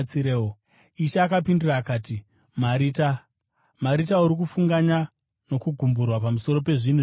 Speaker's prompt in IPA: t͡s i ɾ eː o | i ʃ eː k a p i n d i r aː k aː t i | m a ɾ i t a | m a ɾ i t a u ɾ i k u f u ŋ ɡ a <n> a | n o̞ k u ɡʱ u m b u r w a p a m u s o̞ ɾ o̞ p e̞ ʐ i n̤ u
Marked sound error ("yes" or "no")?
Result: yes